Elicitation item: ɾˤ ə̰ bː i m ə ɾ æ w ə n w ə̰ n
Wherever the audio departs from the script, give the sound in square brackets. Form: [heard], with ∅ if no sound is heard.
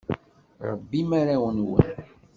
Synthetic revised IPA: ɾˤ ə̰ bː i m [a] ɾ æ w ə n w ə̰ n